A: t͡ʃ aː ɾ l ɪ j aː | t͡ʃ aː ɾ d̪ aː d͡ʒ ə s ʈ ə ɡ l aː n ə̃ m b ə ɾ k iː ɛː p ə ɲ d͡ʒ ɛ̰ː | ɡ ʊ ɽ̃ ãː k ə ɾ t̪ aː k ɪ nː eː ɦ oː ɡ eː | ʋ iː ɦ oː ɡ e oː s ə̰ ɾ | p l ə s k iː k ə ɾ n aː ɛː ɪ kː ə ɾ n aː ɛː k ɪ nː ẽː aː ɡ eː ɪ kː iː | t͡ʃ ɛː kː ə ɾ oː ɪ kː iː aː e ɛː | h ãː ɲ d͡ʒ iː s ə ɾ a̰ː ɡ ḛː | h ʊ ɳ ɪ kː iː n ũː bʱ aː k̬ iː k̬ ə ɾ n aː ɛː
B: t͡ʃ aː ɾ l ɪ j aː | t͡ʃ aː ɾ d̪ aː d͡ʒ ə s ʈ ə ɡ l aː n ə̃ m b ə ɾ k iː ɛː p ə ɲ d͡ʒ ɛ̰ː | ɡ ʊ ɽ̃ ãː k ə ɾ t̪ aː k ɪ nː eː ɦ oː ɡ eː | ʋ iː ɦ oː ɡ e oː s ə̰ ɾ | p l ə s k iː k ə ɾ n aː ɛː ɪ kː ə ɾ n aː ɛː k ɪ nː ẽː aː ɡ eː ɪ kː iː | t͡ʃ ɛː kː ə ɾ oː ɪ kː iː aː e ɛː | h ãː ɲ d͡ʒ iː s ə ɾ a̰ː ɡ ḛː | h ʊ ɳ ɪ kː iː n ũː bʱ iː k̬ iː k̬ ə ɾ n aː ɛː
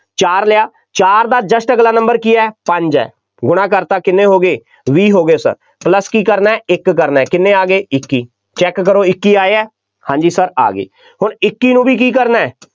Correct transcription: B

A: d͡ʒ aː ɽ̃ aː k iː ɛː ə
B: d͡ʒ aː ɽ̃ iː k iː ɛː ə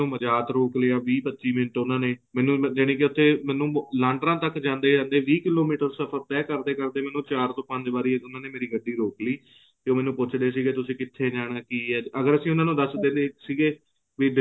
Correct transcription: A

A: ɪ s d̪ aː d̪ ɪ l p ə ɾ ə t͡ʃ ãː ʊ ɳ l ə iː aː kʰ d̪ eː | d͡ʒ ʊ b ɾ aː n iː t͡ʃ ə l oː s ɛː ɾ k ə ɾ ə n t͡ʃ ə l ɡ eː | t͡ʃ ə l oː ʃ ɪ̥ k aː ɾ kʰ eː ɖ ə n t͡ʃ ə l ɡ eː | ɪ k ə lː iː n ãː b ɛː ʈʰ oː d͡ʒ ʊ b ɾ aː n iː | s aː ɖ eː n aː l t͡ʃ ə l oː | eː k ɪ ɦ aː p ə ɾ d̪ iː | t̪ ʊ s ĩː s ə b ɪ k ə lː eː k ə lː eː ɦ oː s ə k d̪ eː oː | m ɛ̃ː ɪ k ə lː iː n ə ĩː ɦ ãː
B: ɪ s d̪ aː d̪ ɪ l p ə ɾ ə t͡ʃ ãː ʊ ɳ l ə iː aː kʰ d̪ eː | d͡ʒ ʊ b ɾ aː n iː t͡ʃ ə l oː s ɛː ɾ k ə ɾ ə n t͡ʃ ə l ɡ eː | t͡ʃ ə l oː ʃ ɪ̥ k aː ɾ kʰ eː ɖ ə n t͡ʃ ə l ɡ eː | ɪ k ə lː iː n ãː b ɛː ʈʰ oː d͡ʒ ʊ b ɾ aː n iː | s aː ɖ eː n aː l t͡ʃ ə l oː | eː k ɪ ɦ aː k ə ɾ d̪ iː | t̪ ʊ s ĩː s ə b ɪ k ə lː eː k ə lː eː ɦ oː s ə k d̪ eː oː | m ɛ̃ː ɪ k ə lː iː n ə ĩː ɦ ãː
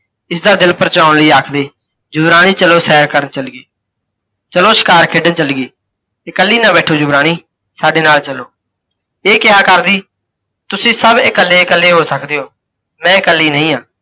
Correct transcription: B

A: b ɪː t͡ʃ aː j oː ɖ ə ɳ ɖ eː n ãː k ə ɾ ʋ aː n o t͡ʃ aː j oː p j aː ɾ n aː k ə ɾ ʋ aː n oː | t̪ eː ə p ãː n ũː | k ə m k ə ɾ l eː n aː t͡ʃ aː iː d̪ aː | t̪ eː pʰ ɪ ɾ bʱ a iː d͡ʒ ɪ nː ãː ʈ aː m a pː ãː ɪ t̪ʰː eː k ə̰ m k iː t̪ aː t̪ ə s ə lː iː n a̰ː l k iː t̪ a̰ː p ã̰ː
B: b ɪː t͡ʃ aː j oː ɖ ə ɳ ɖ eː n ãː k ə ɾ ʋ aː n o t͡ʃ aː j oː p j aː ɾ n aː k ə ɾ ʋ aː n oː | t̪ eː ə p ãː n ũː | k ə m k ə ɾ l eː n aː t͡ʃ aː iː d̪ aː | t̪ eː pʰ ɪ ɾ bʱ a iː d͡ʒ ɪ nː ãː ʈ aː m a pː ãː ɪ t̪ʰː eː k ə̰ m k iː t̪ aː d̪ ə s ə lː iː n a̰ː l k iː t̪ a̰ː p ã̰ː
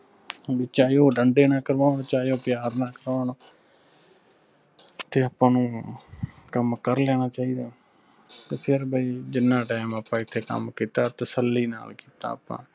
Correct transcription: A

